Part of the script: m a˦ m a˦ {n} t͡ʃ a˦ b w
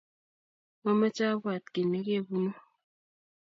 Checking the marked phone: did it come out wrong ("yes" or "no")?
yes